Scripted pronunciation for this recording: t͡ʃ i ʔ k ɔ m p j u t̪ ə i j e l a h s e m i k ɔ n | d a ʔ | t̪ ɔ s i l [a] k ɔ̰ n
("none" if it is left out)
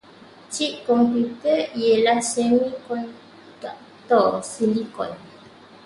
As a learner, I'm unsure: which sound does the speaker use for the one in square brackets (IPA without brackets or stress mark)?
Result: i